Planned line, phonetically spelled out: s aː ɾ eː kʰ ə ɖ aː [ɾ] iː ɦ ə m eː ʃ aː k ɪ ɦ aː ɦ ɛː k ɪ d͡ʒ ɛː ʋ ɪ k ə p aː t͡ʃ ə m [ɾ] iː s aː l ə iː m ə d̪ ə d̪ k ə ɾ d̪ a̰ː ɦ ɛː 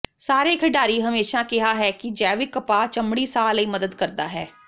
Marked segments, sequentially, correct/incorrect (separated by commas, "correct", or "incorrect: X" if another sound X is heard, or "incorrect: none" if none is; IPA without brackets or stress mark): correct, incorrect: ɽ